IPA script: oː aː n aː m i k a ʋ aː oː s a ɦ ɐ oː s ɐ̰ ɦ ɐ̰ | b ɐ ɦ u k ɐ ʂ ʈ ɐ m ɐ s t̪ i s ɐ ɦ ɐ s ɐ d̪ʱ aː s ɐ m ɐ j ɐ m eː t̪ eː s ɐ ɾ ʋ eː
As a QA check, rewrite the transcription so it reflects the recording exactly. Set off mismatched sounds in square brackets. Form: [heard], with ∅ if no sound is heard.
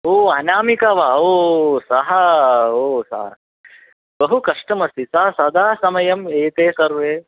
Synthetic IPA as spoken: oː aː n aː m i k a ʋ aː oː s [ɐ] ɦ ɐ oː s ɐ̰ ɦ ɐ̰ | b ɐ ɦ u k ɐ ʂ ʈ ɐ m ɐ s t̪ i s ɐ ɦ ɐ s ɐ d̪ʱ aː s ɐ m ɐ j ɐ m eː t̪ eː s ɐ ɾ ʋ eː